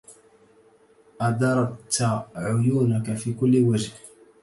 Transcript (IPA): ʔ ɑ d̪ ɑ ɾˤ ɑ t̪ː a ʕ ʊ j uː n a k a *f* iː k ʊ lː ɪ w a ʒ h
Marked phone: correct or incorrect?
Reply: correct